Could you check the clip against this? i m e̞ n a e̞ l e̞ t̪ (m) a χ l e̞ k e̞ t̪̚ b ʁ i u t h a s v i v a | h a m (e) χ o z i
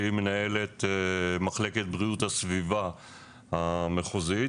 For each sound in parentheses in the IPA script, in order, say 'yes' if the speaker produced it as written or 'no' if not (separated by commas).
yes, yes